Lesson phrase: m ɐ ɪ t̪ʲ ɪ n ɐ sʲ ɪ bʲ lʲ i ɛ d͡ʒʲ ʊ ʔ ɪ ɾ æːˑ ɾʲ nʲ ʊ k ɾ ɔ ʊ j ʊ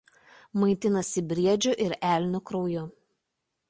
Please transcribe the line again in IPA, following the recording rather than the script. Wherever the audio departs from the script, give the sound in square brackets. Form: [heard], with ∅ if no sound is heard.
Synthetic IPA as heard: m ɐ ɪ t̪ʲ ɪ n ɐ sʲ ɪ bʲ [ɾʲ] i ɛ d͡ʒʲ ʊ ʔ ɪ ɾ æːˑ [lʲ] nʲ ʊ k ɾ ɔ ʊ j ʊ